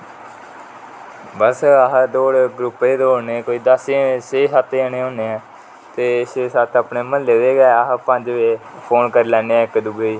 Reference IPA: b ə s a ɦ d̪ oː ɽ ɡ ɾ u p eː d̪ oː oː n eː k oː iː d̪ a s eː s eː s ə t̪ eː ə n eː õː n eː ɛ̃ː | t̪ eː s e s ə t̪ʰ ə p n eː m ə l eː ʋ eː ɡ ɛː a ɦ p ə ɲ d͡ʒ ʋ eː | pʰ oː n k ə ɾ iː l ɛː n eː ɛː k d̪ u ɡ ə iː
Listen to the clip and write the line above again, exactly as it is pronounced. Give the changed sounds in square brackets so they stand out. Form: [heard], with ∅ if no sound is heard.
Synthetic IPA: b ə s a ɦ d̪ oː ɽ ɡ ɾ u p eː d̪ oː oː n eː k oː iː d̪ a s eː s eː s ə t̪ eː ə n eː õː n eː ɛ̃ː | t̪ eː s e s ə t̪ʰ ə p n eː m ə l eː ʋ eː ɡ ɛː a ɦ p ə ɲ d͡ʒ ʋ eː | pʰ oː n k ə ɾ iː l ɛː n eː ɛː k d̪ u ɡ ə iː